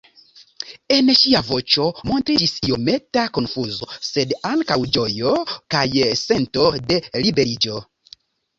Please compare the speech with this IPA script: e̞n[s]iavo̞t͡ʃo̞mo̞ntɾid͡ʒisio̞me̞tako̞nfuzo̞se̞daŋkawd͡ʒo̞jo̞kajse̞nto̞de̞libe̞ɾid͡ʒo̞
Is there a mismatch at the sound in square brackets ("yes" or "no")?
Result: yes